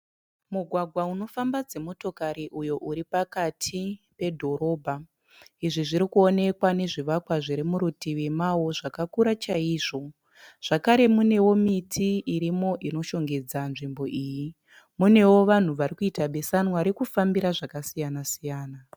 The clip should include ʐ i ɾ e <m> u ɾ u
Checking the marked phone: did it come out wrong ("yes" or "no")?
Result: no